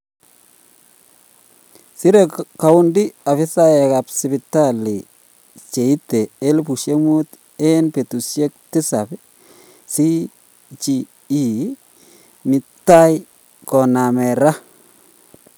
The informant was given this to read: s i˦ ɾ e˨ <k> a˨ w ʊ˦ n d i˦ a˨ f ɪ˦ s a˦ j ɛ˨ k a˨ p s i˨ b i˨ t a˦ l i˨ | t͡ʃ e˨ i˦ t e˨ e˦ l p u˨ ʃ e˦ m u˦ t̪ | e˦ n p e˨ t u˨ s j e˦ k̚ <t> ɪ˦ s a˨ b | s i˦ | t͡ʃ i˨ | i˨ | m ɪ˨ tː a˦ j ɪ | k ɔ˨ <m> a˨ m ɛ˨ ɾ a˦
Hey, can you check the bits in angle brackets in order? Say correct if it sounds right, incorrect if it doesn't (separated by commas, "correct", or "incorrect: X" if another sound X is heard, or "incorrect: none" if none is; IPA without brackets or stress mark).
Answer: correct, correct, incorrect: n